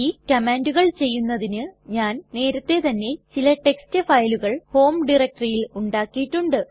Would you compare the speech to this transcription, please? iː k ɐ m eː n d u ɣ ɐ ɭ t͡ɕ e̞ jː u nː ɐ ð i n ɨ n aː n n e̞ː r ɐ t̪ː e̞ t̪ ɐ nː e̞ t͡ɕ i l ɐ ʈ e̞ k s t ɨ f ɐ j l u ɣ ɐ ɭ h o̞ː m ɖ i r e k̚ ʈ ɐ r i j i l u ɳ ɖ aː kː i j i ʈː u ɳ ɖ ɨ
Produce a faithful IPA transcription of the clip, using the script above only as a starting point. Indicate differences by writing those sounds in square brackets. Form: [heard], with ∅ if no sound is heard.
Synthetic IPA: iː k ɐ m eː n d u ɣ ɐ ɭ t͡ɕ e̞ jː u nː ɐ ð i n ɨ [ɲ] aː n n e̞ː [ɾ] ɐ t̪ː e̞ t̪ ɐ nː e̞ t͡ɕ i l ɐ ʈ e̞ k s t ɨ f ɐ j l u ɣ ɐ ɭ h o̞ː m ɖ i r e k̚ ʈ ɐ r i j i l u ɳ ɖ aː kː i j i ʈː u ɳ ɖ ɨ